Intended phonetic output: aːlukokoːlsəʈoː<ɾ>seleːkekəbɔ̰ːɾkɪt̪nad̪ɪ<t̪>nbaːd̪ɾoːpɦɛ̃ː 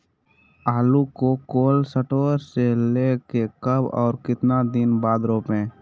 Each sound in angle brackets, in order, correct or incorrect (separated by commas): correct, incorrect